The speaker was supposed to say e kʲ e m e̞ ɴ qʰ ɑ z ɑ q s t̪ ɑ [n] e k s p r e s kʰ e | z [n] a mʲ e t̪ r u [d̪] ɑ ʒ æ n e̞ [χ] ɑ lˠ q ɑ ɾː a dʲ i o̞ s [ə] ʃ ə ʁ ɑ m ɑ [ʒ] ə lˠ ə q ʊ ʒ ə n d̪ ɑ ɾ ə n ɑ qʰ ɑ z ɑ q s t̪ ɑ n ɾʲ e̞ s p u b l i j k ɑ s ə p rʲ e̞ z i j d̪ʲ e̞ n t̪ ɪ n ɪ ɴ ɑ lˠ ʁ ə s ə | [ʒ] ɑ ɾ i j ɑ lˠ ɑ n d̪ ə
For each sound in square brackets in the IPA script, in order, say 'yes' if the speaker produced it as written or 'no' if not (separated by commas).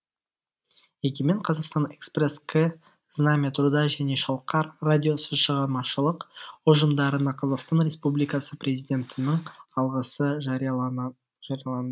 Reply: yes, yes, yes, no, yes, no, yes